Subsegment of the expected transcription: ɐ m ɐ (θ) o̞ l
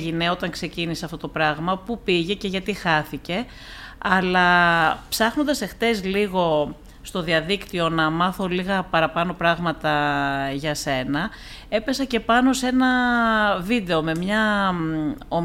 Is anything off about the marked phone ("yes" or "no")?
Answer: no